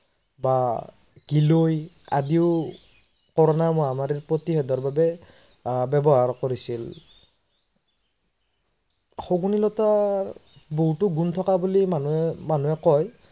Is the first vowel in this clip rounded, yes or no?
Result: no